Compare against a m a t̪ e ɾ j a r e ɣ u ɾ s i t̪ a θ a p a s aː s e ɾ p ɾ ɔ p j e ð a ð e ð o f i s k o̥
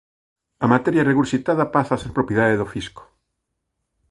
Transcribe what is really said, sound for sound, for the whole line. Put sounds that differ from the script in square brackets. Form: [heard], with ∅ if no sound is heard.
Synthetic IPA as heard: a m a t̪ e ɾ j a r e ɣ u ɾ s i t̪ a [ð] a p a s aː s e ɾ p ɾ [o] p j e ð a ð e ð o f i s k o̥